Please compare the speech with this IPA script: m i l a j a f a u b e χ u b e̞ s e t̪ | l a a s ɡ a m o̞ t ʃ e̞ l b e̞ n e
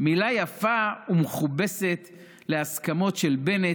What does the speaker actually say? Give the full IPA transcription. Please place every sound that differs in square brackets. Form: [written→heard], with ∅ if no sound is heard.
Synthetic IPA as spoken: m i l a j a f a u [b→m] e χ u b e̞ s e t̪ | l [a→e] a s [ɡ→k] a m o̞ t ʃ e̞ l b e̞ n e